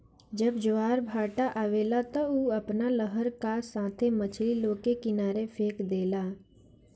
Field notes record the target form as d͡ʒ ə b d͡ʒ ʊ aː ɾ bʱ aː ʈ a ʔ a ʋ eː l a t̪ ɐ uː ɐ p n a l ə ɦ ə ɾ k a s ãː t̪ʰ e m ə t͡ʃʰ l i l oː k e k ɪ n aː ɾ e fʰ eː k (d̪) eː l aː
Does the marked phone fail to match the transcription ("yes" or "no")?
no